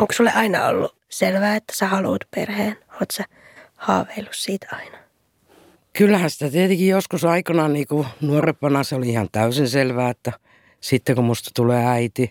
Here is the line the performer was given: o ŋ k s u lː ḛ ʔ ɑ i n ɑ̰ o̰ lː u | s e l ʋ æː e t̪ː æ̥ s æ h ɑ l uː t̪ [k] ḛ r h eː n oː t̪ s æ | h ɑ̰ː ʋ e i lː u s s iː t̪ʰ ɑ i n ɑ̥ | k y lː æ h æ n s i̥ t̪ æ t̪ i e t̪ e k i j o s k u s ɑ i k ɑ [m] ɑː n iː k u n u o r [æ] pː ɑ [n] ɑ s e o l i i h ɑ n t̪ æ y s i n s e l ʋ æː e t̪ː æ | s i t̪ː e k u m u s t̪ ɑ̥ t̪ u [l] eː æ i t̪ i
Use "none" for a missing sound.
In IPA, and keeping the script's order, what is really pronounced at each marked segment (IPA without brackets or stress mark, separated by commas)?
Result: p, n, e, n, l